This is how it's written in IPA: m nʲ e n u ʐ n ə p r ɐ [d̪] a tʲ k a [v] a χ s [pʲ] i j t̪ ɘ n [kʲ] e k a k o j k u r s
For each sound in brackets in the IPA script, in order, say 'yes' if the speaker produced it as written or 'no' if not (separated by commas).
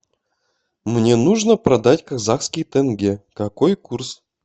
yes, no, no, no